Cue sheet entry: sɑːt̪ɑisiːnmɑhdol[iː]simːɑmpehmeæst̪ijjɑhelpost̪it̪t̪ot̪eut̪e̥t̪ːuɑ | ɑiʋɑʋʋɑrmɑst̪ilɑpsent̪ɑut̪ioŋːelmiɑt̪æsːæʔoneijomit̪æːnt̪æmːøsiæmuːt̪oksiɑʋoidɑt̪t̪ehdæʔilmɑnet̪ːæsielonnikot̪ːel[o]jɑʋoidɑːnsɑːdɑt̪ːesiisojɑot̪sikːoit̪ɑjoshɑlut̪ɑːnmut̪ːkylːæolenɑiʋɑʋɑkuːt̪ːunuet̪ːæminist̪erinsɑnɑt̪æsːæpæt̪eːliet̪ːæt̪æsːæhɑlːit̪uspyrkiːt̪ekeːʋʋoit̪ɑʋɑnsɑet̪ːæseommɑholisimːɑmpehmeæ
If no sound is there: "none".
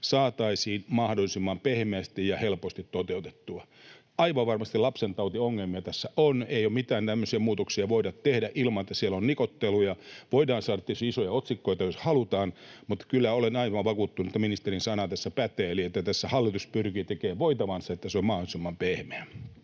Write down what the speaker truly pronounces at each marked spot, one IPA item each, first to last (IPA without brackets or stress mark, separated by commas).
i, u